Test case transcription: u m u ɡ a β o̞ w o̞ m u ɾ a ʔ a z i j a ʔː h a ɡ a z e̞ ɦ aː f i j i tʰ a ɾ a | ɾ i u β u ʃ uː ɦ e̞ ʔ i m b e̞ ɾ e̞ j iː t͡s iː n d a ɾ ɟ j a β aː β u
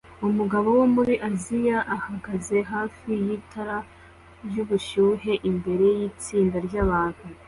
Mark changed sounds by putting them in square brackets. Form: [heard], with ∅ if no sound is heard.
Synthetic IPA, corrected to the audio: u m u ɡ a β o̞ w o̞ m u ɾ [i] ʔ a z i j a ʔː h a ɡ a z e̞ ɦ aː f i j i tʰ a ɾ a | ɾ [j] u β u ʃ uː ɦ e̞ ʔ i m b e̞ ɾ e̞ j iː t͡s iː n d a ɾ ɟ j a β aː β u